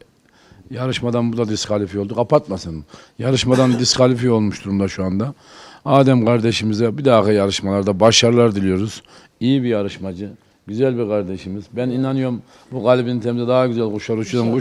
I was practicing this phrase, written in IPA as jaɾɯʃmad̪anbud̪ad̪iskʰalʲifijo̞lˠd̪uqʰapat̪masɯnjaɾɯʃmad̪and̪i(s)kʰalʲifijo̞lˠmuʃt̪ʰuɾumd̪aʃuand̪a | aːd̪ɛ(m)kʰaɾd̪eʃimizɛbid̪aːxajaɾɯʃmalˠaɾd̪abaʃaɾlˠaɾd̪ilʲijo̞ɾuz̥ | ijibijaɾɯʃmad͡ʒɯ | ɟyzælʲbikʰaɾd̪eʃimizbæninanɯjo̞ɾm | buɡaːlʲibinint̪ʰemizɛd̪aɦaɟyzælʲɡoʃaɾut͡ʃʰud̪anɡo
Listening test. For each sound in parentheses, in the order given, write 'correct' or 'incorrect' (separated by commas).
correct, correct